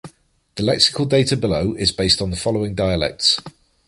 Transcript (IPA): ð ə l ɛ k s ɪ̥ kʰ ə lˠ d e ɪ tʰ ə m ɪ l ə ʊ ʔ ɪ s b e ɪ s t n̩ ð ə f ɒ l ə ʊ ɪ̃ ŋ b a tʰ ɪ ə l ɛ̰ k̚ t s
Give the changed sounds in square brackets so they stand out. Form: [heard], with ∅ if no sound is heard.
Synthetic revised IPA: ð ə l ɛ k s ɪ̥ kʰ ə lˠ d e ɪ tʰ ə [b] ɪ l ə ʊ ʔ ɪ [z] b e ɪ s t n̩ ð ə f ɒ l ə ʊ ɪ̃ ŋ [d] a [∅] ɪ ə l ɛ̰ k̚ t s